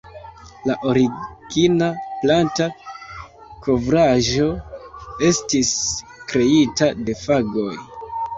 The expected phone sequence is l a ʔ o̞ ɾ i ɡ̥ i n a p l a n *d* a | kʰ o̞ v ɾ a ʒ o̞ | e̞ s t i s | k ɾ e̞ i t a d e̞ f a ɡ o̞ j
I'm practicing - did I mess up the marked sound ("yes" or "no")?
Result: yes